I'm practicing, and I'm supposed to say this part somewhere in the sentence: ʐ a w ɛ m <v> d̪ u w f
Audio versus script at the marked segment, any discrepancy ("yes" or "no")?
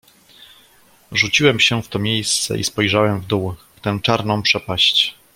no